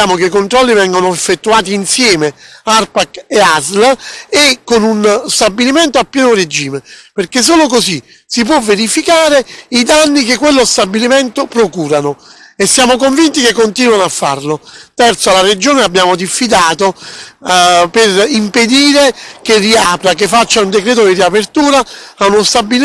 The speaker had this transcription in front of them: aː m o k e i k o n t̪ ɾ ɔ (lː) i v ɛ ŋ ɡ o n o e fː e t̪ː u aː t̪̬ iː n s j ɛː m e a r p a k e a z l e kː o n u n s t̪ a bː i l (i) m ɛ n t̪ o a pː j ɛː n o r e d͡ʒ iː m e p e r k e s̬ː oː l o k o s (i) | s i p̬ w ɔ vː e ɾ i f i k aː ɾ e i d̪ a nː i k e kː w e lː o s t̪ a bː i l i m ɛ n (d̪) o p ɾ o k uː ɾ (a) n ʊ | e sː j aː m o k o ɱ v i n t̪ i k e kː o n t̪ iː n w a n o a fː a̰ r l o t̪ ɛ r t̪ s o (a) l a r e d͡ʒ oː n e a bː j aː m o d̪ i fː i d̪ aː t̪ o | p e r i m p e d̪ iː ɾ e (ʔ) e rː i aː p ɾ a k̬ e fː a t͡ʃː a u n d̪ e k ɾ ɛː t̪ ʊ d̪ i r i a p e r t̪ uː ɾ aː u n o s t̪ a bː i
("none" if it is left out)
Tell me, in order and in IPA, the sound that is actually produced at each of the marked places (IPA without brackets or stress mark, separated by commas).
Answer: lː, i, i, t̪, a, a, k